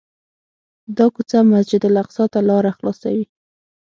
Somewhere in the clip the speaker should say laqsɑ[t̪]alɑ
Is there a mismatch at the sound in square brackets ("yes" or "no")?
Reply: no